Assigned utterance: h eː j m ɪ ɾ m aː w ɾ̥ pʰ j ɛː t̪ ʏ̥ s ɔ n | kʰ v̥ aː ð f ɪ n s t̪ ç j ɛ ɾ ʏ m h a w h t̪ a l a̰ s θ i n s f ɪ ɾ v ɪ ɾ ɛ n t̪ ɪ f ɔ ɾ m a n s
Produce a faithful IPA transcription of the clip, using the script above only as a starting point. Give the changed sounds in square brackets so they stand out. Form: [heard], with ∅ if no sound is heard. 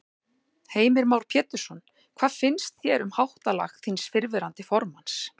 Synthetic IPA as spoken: h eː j m ɪ ɾ m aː w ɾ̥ pʰ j ɛː t̪ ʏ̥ s ɔ n | kʰ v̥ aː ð f ɪ n s t̪ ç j ɛ ɾ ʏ m h a w h t̪ a l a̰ [x] θ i n s f ɪ ɾ v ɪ ɾ [a] n t̪ ɪ f ɔ ɾ m a n s